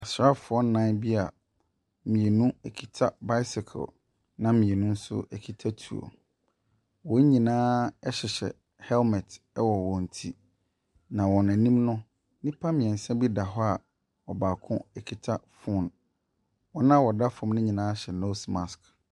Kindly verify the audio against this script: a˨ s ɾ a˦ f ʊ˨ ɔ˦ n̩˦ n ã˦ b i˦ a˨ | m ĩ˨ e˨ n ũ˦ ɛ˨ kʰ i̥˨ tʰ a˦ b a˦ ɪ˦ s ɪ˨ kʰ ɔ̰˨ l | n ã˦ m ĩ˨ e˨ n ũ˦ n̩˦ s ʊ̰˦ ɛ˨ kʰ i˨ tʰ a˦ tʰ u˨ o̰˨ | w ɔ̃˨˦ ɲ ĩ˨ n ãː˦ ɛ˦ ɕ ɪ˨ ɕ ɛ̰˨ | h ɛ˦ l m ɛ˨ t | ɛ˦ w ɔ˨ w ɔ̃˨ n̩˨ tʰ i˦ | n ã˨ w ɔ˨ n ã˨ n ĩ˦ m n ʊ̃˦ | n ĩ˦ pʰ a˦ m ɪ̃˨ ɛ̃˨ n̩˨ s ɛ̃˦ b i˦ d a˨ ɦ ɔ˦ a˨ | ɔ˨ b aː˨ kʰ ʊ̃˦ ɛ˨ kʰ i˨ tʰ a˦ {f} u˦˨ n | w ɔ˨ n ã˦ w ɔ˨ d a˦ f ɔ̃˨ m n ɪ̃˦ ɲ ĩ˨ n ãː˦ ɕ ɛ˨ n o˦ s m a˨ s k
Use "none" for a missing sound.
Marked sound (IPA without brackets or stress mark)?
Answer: f